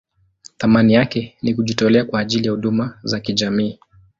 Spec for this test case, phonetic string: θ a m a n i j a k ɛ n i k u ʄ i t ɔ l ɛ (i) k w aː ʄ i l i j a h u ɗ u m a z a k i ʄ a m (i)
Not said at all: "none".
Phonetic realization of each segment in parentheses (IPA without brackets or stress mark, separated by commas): a, iː